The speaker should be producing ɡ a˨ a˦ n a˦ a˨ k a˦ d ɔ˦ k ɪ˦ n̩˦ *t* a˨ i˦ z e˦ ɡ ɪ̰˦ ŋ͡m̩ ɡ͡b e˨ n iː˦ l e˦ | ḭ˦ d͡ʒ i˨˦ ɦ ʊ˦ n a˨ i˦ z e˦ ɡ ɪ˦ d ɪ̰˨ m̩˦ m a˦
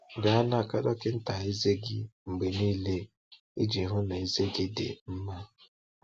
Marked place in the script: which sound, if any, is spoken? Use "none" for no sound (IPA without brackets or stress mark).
t